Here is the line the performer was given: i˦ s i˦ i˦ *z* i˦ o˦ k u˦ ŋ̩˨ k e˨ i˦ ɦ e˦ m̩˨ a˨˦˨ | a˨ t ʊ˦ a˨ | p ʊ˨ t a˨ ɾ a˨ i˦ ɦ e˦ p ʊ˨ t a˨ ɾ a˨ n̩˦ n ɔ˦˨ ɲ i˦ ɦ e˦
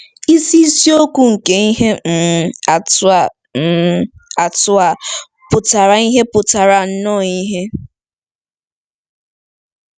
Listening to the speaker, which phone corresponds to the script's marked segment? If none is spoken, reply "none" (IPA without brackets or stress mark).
s